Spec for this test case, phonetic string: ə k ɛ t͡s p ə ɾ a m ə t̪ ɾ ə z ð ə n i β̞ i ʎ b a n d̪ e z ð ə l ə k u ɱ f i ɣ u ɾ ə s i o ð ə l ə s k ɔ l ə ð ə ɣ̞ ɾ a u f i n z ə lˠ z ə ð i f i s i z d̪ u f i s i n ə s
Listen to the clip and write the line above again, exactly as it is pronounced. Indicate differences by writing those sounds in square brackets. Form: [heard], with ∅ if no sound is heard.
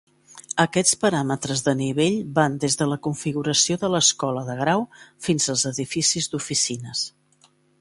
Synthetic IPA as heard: ə k ɛ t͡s p ə ɾ a m ə t̪ ɾ ə z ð ə n i β̞ [e] ʎ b a n d̪ e z ð ə l ə k u ɱ f i ɣ u ɾ ə s i o ð ə l ə s k ɔ l ə ð ə ɣ̞ ɾ a [w] f i n z ə lˠ z ə ð i f i s i z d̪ u f i s i n ə s